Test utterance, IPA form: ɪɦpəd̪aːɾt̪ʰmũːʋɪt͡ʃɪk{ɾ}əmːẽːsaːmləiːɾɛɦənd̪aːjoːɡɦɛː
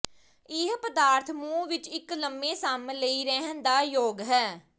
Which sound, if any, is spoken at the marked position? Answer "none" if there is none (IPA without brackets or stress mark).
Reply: l